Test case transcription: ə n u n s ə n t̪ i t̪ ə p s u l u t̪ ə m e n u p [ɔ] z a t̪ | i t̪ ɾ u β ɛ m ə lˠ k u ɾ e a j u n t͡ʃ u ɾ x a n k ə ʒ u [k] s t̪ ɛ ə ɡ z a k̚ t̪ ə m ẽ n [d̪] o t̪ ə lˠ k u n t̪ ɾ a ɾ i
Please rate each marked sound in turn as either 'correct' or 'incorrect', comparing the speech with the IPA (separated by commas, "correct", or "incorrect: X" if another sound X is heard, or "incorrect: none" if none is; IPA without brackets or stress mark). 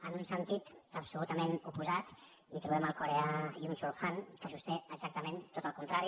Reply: incorrect: u, incorrect: none, incorrect: t̪